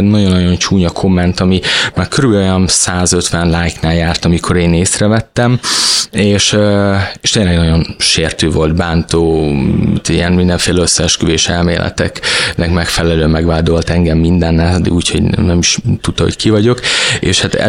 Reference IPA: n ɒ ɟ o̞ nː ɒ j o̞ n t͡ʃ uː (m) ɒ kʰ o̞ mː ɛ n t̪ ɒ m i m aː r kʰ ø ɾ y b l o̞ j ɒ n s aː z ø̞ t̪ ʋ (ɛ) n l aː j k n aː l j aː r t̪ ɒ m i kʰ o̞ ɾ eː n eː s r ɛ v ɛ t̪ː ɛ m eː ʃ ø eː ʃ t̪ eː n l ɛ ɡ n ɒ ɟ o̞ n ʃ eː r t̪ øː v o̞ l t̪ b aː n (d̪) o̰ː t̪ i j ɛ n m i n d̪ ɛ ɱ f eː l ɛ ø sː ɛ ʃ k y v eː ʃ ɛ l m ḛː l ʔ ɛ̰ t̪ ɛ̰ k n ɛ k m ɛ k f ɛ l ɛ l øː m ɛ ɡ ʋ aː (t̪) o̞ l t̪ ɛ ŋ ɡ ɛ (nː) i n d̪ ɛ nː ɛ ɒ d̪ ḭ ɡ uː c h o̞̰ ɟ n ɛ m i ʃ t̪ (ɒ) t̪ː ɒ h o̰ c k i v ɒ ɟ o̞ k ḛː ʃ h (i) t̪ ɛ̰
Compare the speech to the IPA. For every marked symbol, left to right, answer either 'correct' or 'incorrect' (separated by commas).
incorrect, correct, incorrect, incorrect, incorrect, incorrect, incorrect